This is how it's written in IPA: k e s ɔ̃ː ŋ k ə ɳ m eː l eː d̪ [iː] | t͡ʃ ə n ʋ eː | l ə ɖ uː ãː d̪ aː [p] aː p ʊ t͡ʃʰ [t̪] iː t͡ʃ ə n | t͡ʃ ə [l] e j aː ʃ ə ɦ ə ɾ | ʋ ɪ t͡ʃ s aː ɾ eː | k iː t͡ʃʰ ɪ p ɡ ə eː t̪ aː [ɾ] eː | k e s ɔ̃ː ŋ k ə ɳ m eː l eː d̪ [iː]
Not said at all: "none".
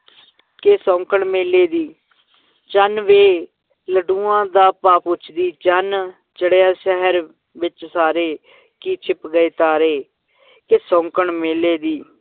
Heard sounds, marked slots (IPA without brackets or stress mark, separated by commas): iː, p, d̪, ɽ, ɾ, iː